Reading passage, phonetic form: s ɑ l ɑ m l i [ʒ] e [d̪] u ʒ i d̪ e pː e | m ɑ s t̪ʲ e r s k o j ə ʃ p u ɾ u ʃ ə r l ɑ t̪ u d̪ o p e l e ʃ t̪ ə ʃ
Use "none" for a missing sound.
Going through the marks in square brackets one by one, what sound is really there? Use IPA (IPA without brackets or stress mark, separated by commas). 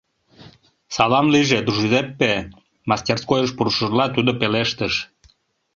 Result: ʒ, d̪